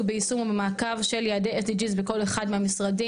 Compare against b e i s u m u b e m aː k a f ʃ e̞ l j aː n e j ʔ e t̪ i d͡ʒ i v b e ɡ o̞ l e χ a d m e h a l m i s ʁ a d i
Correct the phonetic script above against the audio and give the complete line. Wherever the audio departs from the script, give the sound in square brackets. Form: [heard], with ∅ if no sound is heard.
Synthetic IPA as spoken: b e i s u m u b e m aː k a [v] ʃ e̞ l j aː [d] e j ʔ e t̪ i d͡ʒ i [z] b e [k] o̞ l e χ a d m e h a [∅] m i s ʁ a d i